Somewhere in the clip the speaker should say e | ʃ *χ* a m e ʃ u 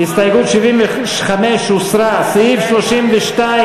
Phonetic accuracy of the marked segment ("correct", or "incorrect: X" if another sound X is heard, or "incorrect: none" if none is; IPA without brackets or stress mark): correct